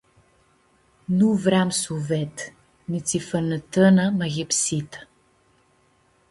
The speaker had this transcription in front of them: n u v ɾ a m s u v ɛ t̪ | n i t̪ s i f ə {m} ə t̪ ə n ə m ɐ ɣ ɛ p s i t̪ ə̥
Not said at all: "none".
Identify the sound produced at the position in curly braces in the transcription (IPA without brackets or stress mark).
n